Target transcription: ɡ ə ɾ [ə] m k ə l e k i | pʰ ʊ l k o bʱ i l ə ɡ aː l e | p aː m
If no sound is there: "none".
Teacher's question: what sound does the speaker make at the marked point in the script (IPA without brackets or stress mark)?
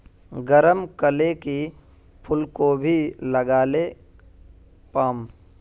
ə